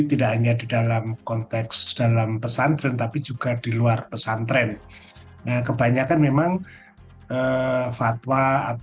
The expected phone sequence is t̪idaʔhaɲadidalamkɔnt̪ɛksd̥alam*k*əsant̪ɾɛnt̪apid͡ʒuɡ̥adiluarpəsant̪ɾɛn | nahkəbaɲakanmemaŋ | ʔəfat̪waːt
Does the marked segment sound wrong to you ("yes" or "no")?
yes